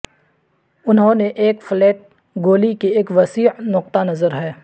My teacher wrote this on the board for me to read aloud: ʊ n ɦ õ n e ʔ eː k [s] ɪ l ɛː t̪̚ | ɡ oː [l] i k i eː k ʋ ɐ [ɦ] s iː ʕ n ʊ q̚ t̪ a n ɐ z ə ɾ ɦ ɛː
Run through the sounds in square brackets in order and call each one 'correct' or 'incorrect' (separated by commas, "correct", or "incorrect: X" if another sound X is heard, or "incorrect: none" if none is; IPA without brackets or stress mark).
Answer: incorrect: f, correct, incorrect: none